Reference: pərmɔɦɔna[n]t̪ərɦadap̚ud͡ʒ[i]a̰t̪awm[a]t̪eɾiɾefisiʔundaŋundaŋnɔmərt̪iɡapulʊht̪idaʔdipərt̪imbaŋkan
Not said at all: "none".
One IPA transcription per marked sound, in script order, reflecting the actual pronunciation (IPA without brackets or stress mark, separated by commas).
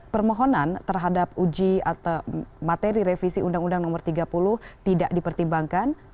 n, i, a